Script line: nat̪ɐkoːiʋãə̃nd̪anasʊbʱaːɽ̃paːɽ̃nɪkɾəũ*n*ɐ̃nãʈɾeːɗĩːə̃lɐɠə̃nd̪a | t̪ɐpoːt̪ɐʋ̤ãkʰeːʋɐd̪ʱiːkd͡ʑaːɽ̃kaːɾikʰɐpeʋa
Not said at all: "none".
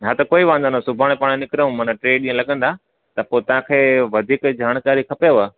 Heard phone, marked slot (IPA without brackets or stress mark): m